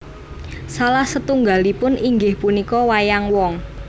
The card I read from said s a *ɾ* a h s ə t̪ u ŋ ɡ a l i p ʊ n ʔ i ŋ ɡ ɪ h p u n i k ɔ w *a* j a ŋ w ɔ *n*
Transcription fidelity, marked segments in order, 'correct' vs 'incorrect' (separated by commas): incorrect, correct, incorrect